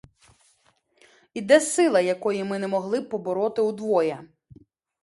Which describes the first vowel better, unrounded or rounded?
unrounded